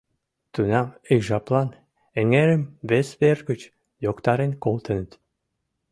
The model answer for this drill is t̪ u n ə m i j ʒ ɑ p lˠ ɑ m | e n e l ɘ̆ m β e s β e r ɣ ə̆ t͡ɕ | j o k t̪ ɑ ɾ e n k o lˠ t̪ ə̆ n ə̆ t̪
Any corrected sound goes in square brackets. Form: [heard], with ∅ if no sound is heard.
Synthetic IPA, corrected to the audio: t̪ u n [ɑ] m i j ʒ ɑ p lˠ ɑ [n] | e [ŋ] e [ɾ] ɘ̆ m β e s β e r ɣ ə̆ t͡ɕ | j o k t̪ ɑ ɾ e n k o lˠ t̪ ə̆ n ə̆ t̪

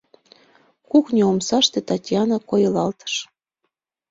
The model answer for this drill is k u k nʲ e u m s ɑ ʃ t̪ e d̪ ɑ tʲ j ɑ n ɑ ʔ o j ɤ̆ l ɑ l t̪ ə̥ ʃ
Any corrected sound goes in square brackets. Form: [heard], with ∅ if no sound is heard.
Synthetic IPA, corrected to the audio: k u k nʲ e [o] m s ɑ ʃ t̪ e [t̪] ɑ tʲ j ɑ n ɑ [k] o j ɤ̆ l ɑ l t̪ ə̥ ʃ

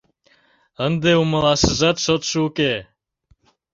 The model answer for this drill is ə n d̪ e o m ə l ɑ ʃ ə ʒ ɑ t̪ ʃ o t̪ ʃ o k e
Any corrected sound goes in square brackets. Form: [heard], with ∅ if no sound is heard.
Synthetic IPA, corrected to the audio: ə n d̪ e [u] m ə l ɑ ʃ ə ʒ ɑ t̪ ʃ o t̪ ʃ [u] k e

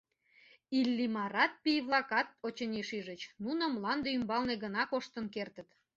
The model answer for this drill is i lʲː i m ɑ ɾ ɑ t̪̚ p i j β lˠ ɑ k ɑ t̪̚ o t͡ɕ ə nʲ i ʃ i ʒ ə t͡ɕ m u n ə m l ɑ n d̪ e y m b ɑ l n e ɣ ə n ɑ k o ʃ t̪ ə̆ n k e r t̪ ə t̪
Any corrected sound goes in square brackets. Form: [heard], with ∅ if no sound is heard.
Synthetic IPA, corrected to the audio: i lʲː i m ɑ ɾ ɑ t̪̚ p i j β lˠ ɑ k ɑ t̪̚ o t͡ɕ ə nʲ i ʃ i ʒ ə t͡ɕ [n] u n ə m l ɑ n d̪ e y m b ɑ l n e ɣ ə n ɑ k o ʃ t̪ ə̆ n k e r t̪ ə t̪

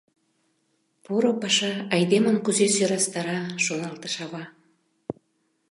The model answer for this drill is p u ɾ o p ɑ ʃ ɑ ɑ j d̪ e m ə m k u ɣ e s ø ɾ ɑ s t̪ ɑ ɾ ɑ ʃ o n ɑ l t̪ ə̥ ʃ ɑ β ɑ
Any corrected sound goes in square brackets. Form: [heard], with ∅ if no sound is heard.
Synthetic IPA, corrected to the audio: p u ɾ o p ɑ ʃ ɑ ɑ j d̪ e m ə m k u [z] e s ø ɾ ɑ s t̪ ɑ ɾ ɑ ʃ o n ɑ l t̪ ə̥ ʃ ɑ β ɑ

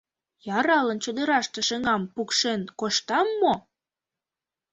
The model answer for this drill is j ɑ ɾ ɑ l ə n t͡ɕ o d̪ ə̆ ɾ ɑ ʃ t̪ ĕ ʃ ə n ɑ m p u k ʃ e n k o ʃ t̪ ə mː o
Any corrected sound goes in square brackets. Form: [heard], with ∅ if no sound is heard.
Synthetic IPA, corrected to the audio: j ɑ ɾ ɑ l ə n t͡ɕ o d̪ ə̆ ɾ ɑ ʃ t̪ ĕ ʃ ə [ŋ] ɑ m p u k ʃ e n k o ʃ t̪ [ɑ] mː o

